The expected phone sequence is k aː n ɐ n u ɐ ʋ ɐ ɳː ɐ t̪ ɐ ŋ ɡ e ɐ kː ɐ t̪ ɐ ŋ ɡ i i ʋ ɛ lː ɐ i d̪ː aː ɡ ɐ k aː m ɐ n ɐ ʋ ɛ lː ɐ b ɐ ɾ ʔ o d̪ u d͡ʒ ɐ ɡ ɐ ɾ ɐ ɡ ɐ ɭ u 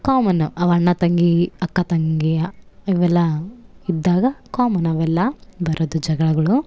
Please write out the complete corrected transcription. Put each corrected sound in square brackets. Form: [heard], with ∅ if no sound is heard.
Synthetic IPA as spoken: k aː [m] ɐ n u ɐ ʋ ɐ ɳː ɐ t̪ ɐ ŋ ɡ [i] ɐ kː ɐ t̪ ɐ ŋ ɡ i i ʋ ɛ lː ɐ i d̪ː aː ɡ ɐ k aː m ɐ n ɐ ʋ ɛ lː ɐ b ɐ ɾ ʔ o d̪ u d͡ʒ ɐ ɡ ɐ [ɭ] ɐ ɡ ɐ ɭ u